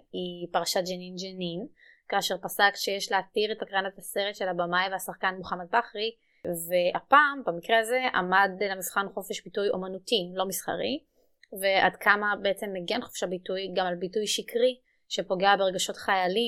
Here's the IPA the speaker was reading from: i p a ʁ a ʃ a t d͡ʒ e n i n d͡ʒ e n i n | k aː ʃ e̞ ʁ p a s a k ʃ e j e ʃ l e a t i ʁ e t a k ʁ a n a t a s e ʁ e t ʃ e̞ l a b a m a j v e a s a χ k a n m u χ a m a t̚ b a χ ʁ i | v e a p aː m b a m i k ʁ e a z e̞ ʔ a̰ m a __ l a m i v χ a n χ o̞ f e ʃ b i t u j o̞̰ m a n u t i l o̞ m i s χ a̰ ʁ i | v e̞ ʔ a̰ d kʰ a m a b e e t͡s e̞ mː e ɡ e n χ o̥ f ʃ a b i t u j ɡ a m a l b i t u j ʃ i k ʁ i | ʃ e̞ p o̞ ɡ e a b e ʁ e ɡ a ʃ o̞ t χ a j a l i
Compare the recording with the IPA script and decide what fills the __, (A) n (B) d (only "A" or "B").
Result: B